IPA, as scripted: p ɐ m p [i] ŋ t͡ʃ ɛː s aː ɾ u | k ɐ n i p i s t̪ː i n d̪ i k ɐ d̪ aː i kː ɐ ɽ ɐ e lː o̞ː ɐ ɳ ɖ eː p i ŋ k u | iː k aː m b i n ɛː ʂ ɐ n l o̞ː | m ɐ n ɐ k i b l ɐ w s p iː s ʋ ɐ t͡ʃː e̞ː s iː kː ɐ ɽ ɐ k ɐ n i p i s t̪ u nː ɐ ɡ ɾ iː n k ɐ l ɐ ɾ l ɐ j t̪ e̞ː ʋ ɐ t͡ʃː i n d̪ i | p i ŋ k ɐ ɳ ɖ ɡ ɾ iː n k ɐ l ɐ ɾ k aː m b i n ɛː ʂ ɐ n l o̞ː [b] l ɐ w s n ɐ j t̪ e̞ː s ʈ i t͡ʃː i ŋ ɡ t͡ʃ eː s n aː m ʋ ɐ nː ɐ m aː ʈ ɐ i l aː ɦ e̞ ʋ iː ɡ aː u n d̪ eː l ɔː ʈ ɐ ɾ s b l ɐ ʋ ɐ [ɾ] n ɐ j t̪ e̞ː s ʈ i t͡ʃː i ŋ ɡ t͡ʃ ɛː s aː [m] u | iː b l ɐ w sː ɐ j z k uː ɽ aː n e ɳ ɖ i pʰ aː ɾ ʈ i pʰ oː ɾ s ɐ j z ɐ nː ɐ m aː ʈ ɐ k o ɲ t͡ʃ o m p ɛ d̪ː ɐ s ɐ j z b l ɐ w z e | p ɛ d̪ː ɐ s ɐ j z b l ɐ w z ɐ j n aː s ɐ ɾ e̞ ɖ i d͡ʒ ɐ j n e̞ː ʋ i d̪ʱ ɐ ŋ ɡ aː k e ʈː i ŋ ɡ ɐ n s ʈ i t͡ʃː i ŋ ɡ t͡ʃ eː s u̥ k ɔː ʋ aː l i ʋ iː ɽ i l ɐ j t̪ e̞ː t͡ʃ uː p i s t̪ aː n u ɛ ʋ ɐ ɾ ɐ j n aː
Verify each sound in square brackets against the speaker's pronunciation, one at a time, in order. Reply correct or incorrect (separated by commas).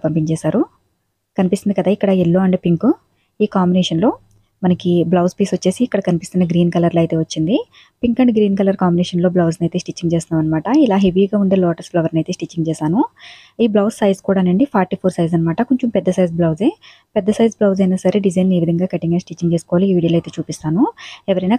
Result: correct, correct, correct, incorrect